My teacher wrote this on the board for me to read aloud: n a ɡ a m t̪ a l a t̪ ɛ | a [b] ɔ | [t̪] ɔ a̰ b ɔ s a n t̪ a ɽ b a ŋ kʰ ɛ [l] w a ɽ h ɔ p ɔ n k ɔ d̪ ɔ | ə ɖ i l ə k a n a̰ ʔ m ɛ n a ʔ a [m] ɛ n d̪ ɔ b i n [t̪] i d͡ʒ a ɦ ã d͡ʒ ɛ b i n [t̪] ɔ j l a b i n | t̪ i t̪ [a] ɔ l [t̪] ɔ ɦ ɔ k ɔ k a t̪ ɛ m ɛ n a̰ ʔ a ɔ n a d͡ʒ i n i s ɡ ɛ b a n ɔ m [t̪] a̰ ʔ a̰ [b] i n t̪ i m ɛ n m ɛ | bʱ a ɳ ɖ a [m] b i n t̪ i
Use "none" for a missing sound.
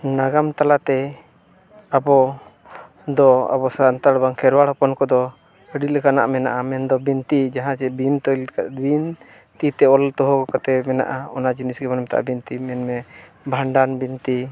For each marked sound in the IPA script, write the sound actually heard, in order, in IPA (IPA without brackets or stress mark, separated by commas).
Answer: b, d̪, ɾ, m, t̪, t̪, ɛ, t̪, t̪, b, n